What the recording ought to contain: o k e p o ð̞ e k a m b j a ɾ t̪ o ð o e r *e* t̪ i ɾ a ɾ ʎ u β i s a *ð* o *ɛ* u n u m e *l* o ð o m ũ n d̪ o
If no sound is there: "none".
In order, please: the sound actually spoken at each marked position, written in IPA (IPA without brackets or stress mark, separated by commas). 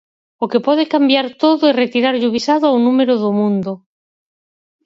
e, ð, a, ɾ